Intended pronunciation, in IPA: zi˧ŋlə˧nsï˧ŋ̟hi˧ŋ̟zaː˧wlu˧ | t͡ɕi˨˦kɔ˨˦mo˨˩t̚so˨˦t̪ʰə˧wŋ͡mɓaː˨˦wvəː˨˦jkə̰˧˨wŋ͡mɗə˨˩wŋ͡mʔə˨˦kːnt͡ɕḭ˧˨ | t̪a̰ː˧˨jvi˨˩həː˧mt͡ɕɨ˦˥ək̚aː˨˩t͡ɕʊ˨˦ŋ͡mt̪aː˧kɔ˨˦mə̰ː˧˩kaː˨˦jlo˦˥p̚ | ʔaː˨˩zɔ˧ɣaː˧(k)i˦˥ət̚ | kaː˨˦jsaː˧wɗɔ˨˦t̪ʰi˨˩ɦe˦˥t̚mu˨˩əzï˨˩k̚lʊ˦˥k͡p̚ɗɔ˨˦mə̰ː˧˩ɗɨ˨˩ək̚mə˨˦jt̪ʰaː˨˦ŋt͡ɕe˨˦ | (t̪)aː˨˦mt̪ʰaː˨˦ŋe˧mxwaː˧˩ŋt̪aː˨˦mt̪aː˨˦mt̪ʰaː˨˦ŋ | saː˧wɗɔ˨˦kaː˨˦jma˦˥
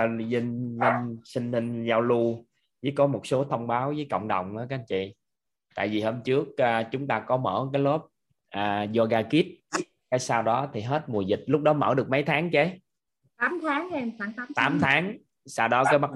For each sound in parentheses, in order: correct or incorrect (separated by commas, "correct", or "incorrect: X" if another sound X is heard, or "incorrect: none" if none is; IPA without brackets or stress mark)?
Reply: correct, correct